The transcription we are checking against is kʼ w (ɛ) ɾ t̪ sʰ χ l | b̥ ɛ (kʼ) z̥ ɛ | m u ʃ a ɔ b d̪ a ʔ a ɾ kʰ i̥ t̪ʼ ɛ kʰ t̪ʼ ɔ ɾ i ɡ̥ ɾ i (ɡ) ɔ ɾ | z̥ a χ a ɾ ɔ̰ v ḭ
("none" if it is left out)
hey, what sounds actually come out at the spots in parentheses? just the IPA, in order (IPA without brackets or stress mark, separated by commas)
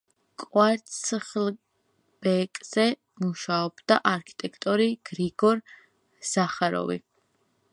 a, kʼ, ɡ